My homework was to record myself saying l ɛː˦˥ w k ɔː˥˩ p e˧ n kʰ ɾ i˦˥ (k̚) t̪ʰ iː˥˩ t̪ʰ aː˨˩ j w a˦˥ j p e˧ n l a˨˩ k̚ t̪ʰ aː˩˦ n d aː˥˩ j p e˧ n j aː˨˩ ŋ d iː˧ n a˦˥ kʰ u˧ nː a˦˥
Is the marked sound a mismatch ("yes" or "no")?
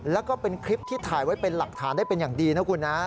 yes